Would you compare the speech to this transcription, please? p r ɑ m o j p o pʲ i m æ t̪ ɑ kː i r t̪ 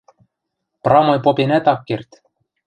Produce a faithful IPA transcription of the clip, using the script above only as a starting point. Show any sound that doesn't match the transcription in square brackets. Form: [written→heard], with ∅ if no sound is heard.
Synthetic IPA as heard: p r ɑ m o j p o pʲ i [m→n] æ t̪ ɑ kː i r t̪